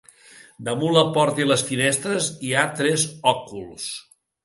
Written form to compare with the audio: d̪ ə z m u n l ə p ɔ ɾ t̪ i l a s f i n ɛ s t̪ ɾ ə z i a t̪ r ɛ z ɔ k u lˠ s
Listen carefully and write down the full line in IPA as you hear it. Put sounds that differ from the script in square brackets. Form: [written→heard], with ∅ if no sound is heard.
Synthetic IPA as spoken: d̪ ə [z→∅] m u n l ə p ɔ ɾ t̪ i l [a→ə] s f i n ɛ s t̪ ɾ ə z i a t̪ [r→ɾ] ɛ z ɔ k u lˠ s